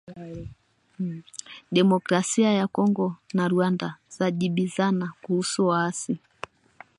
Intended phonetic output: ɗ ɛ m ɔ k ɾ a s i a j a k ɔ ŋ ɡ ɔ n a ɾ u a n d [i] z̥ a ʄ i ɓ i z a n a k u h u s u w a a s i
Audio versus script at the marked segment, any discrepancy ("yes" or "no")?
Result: yes